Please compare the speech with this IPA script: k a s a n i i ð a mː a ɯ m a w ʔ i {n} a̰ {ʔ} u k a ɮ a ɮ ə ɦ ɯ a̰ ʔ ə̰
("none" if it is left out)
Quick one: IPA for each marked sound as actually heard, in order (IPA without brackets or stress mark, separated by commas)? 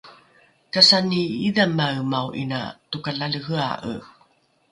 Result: n, t